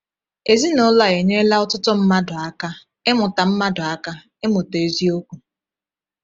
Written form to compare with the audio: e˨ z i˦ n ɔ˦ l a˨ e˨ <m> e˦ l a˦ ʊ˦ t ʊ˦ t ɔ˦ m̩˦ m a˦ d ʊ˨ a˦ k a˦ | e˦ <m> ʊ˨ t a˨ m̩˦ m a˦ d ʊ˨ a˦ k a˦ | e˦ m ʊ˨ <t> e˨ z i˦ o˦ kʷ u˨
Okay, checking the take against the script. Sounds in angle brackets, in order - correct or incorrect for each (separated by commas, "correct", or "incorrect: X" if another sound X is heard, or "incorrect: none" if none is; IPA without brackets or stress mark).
incorrect: ɲ, correct, correct